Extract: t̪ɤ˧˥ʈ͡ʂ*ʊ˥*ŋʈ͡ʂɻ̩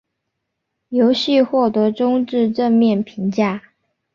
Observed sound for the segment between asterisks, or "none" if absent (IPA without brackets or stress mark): ʊ˥